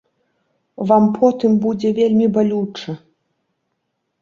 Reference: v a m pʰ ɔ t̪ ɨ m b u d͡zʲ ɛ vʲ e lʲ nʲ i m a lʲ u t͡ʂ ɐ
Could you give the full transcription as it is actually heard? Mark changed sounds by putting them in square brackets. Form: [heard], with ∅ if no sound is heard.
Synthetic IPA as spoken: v a m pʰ ɔ t̪ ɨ m b u d͡zʲ ɛ vʲ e lʲ [mʲ] i [b] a lʲ u t͡ʂ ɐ